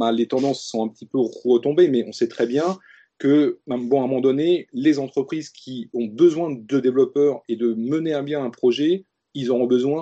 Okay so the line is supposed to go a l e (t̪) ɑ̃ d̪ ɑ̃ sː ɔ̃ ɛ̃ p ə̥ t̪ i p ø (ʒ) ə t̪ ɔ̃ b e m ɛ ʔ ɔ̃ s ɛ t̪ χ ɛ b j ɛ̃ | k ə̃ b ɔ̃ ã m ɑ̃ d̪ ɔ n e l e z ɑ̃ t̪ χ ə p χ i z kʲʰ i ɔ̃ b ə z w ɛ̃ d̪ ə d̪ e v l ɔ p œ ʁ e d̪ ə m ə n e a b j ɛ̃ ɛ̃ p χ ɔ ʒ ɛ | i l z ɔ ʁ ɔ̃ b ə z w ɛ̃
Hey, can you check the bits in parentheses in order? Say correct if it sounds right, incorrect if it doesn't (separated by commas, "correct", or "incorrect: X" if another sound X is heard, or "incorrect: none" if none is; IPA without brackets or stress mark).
correct, incorrect: ʁ